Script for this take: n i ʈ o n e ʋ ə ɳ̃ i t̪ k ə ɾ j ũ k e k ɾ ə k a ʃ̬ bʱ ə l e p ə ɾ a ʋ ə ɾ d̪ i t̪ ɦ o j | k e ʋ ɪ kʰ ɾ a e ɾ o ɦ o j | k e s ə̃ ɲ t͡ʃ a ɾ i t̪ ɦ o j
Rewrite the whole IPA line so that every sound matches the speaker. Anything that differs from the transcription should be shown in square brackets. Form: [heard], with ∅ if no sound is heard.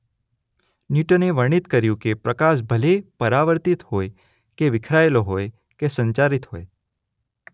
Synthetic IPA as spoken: n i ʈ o n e ʋ ə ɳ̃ i t̪ k ə ɾ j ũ k e [p] ɾ ə k a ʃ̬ bʱ ə l e p ə ɾ a ʋ ə ɾ [t̪] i t̪ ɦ o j | k e ʋ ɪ kʰ ɾ a e [l] o ɦ o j | k e s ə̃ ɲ t͡ʃ a ɾ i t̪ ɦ o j